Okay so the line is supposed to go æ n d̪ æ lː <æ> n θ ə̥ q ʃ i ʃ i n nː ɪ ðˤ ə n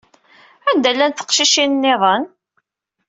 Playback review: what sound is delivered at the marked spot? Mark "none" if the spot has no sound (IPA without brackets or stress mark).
æ